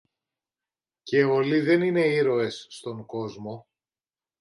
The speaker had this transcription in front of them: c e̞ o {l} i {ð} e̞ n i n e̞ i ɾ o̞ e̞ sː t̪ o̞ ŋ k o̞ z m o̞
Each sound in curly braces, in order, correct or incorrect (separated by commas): correct, correct